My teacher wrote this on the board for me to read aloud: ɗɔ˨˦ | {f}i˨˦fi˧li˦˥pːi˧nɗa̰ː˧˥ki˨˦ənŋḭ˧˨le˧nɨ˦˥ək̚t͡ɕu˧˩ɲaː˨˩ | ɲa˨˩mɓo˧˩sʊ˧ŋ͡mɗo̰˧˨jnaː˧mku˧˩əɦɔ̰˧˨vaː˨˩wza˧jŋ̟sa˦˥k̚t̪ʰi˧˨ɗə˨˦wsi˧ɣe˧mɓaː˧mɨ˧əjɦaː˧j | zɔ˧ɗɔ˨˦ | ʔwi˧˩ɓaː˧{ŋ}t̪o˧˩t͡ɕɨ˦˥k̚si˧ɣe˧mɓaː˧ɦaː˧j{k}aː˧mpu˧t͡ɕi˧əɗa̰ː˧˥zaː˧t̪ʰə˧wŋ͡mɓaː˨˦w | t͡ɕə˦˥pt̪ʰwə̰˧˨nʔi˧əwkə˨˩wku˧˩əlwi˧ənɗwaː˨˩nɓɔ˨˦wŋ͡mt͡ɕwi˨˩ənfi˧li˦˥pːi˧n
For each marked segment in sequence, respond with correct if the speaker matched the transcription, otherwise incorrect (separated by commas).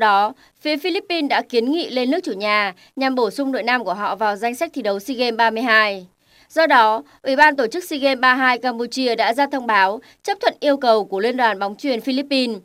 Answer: correct, incorrect, correct